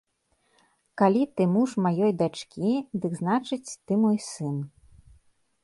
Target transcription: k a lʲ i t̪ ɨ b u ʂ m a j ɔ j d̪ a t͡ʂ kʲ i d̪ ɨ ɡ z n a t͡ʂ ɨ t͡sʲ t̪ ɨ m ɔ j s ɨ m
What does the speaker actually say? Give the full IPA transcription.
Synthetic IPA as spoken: k a lʲ i t̪ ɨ m u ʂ m a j ɔ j d̪ a t͡ʂ kʲ i d̪ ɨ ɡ z n a t͡ʂ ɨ t͡sʲ t̪ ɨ m ɔ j s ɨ n